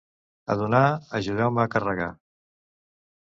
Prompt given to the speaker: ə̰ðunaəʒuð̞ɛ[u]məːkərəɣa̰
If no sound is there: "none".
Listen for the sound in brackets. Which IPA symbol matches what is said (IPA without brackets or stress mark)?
w